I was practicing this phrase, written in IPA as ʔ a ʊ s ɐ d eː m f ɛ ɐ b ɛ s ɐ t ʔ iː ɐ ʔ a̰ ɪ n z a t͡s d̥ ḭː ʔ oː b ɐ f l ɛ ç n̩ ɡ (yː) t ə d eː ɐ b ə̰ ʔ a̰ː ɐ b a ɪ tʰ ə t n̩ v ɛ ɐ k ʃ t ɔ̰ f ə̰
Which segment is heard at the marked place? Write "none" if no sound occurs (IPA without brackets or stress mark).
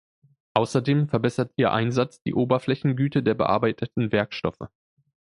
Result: yː